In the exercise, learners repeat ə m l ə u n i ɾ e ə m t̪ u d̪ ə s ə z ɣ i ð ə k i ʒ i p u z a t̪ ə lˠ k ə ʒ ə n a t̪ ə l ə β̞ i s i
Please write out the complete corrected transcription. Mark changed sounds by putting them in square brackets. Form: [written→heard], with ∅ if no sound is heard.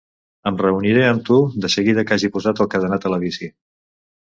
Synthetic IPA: ə m [l→r] ə u n i ɾ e ə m t̪ u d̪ ə s ə [z→∅] ɣ i ð ə k [i→a] ʒ i p u z a t̪ ə lˠ k ə [ʒ→ð] ə n a t̪ ə l ə β̞ i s i